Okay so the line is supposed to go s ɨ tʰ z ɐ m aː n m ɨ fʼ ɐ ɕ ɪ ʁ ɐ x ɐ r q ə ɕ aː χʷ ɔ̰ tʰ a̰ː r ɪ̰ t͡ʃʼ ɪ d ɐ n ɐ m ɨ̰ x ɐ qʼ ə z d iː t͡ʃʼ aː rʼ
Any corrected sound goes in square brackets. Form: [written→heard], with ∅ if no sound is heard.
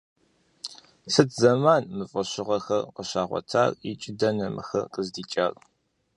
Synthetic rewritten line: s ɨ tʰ z ɐ m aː n m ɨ fʼ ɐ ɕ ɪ ʁ ɐ x ɐ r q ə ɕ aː [χʷ→ʁʷ] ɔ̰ tʰ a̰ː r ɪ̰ t͡ʃʼ ɪ d ɐ n ɐ m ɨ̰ x ɐ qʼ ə z d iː t͡ʃʼ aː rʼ